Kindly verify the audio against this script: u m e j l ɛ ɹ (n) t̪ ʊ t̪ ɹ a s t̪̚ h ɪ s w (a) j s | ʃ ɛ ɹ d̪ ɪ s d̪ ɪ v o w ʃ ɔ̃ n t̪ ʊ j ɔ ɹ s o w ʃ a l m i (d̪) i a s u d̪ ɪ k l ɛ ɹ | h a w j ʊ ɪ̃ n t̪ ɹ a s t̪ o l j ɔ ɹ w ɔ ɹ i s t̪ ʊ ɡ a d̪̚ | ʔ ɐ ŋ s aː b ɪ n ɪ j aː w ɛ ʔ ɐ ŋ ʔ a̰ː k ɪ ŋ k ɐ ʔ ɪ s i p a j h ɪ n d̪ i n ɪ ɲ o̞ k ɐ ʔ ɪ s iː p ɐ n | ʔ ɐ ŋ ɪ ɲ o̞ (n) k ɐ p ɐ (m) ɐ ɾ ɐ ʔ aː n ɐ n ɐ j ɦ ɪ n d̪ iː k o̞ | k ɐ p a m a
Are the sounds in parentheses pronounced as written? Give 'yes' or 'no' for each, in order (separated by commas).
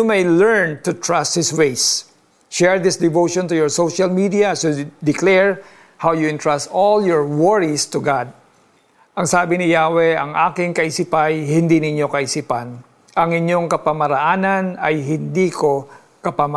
yes, no, yes, no, yes